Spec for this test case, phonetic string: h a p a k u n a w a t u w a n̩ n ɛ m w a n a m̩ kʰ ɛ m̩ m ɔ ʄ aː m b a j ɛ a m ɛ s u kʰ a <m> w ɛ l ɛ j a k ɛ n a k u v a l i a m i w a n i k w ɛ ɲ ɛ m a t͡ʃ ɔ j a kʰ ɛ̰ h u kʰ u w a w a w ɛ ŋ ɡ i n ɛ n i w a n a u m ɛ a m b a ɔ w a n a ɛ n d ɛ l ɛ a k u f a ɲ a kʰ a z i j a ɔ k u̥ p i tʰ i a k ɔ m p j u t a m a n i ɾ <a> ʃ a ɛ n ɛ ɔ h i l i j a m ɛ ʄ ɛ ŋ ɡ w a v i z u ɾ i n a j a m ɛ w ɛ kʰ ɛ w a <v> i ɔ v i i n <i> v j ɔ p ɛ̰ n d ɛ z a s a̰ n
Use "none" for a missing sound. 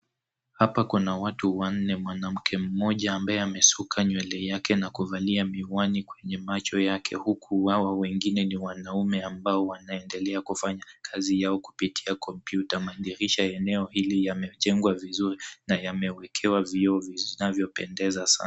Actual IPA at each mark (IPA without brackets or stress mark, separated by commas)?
ɲ, i, v, a